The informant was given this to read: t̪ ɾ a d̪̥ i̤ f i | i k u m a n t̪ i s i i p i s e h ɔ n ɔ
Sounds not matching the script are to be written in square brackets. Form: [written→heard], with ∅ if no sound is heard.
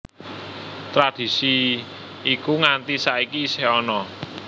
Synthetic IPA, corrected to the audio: t̪ ɾ a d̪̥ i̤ [f→s] i | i k u [m→ŋ] a n t̪ i s [i→a] i [p→k] i s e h ɔ n ɔ